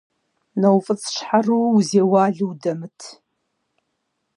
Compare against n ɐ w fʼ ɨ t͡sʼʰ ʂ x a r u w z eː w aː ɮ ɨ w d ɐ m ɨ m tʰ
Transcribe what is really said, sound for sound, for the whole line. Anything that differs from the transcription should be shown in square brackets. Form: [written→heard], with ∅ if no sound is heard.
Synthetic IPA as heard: n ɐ w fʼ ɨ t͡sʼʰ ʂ [x→ħ] a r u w z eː w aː ɮ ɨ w d ɐ m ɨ [m→∅] tʰ